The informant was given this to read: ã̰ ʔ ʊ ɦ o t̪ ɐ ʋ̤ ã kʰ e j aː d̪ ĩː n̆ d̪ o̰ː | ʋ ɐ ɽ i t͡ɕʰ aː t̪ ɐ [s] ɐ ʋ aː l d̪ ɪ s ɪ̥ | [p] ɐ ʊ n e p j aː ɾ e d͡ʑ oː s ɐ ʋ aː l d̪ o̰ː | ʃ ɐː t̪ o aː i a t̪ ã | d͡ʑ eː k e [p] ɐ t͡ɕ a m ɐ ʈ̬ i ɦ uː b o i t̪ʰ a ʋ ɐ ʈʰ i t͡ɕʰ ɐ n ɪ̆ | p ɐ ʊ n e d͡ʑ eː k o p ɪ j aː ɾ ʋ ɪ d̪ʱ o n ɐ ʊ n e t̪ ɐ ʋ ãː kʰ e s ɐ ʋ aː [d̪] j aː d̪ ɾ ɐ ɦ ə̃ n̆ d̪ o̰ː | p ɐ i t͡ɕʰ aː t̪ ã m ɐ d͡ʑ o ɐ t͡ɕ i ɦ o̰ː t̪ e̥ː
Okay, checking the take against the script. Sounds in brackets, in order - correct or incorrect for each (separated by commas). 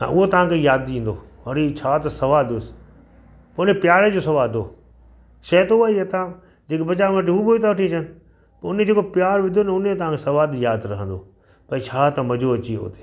correct, correct, incorrect, correct